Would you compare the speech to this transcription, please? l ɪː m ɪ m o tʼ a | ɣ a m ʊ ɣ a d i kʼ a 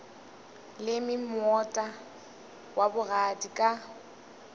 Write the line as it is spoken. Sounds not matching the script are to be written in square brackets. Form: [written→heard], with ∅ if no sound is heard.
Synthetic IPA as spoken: l [ɪː→ɪ] m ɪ m [o→ɔ] tʼ a | [ɣ→w] a [m→b] ʊ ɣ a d i kʼ a